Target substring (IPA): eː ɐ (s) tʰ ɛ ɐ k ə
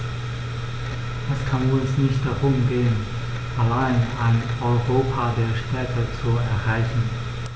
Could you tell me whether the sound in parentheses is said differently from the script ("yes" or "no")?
yes